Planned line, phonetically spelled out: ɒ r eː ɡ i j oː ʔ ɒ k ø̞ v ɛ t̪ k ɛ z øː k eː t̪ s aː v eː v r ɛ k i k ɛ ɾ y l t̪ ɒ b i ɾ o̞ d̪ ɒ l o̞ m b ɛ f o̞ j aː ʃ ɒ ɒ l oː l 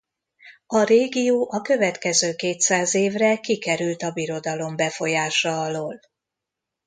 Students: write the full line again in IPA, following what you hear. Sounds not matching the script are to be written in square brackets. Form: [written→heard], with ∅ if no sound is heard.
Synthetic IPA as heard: ɒ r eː ɡ i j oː ʔ ɒ k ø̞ v ɛ t̪ k ɛ z øː k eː t̪ s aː [v→z] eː v r ɛ k i k ɛ ɾ y l t̪ ɒ b i ɾ o̞ d̪ ɒ l o̞ m b ɛ f o̞ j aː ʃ ɒ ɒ l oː l